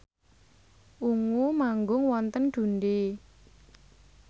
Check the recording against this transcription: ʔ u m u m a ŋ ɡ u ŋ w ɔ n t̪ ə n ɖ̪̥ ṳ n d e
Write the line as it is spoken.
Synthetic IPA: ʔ u ŋ u m a ŋ ɡ ʊ ŋ w ɔ n t̪ ə n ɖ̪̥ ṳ n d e